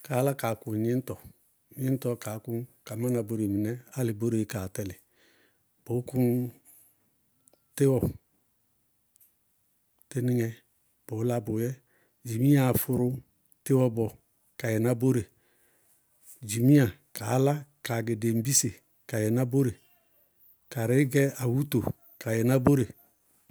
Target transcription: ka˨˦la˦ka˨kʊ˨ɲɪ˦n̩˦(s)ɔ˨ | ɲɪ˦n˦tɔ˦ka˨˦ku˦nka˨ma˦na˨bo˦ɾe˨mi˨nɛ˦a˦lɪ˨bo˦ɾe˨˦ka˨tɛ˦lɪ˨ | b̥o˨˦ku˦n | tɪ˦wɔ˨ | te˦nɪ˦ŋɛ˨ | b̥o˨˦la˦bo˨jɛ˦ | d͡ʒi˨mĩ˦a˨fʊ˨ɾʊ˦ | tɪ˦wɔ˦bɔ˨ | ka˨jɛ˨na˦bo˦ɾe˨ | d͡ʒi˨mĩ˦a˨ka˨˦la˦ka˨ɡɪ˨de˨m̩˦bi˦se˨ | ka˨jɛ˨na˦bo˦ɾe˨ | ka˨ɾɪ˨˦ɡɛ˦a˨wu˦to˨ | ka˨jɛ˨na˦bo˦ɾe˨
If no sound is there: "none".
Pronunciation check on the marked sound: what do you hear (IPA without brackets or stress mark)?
t